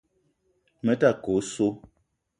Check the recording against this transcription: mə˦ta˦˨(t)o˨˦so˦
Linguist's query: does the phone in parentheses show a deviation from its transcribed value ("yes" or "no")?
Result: yes